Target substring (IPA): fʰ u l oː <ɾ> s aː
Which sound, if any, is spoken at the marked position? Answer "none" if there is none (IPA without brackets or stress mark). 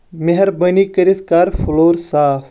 ɾ